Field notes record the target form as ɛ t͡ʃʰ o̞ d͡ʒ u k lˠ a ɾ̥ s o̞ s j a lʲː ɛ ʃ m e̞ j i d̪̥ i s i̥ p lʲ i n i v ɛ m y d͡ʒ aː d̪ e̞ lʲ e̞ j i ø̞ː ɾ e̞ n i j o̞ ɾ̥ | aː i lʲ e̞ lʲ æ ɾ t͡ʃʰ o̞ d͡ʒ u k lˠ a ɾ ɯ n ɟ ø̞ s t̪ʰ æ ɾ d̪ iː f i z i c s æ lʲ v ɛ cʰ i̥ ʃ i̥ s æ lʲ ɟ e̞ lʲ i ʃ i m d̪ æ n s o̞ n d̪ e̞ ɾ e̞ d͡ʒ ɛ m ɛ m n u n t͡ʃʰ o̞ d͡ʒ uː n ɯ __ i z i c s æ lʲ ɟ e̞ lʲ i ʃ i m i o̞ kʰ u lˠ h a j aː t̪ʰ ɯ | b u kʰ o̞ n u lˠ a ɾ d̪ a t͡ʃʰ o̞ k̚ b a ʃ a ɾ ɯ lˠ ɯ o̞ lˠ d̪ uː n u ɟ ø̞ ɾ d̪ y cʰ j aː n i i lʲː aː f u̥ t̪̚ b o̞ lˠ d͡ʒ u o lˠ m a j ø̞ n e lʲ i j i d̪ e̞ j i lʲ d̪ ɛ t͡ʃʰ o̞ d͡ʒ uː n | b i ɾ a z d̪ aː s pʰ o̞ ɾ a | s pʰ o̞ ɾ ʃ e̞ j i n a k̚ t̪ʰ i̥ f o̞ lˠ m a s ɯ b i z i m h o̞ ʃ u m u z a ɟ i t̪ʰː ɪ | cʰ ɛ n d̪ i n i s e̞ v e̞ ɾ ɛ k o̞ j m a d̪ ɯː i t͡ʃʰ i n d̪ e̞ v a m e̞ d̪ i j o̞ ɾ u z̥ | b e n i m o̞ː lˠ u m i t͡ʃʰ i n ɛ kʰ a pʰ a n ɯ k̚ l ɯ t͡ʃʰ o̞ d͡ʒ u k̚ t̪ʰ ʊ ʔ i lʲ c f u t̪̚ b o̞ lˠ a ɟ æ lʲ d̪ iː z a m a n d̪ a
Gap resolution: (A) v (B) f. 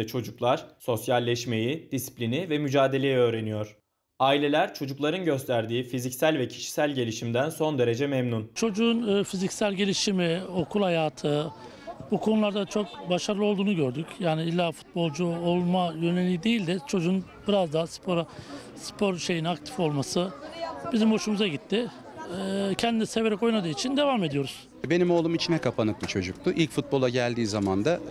B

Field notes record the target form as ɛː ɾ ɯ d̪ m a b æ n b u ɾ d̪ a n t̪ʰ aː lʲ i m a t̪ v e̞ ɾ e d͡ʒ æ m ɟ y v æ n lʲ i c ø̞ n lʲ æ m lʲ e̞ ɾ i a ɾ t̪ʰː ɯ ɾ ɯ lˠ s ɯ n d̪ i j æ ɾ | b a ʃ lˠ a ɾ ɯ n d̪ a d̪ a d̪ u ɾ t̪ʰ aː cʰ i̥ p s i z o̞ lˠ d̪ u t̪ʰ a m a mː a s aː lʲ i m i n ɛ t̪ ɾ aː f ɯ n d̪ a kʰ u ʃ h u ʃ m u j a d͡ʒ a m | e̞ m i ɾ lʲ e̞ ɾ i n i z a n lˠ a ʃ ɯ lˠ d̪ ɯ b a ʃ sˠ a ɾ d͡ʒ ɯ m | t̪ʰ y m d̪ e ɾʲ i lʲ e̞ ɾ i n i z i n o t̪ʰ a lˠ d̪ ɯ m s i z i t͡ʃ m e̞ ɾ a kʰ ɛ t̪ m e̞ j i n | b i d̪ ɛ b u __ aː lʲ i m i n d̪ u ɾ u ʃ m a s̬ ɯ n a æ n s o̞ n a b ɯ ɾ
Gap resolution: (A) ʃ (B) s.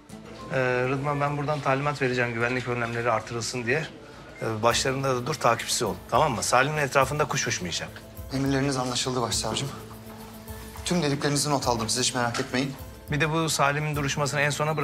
B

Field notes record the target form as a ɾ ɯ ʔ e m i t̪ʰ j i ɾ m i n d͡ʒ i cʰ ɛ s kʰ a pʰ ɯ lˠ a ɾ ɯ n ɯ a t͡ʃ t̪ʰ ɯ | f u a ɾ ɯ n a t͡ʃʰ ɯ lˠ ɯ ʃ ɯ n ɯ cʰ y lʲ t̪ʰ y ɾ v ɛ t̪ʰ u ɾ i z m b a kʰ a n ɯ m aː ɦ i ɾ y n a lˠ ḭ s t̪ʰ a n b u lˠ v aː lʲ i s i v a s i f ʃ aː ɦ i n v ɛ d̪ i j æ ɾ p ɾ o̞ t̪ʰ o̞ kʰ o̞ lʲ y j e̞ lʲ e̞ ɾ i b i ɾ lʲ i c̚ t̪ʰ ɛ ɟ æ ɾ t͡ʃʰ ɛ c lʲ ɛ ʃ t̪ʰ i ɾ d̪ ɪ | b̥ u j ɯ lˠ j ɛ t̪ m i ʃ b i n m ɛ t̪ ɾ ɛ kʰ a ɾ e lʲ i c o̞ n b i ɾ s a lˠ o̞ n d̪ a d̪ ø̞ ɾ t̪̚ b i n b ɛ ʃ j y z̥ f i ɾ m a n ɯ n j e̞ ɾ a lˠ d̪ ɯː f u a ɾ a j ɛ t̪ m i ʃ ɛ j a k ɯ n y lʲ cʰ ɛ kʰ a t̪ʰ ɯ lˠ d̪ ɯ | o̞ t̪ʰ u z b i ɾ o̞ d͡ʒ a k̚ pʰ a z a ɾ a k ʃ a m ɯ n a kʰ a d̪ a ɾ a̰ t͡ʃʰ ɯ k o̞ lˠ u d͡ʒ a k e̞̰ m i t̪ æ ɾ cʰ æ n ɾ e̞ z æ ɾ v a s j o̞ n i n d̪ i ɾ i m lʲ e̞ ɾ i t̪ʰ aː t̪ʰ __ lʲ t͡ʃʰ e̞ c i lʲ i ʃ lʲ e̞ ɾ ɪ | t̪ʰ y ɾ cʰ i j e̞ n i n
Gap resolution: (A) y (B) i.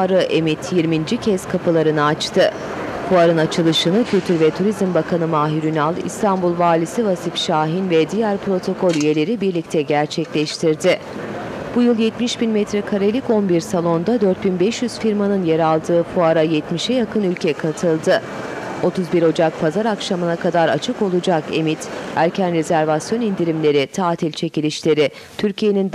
B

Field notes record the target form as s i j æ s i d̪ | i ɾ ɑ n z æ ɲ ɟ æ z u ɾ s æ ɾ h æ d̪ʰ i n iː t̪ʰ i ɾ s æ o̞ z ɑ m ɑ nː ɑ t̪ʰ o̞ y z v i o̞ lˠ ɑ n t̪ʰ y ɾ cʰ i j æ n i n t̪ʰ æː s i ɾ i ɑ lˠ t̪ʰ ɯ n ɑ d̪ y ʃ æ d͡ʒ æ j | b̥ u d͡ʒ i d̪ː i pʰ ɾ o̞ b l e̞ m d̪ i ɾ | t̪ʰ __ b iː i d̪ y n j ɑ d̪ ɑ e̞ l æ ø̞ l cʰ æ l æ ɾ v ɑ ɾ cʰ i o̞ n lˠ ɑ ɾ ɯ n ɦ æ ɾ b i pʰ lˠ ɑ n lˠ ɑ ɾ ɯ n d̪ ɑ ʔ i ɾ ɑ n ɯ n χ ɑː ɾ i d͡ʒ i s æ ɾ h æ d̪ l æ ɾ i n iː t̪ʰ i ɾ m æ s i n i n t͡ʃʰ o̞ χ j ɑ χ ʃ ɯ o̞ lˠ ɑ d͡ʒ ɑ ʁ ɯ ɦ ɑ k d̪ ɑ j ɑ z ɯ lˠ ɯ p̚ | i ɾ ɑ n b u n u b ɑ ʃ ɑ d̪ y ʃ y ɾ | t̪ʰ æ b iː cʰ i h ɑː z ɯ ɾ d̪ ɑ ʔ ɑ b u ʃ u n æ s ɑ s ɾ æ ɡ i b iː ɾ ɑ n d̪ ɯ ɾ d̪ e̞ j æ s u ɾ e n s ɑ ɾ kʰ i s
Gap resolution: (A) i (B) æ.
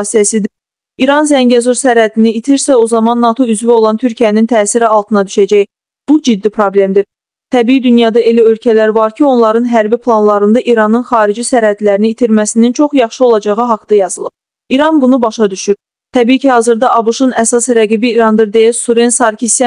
B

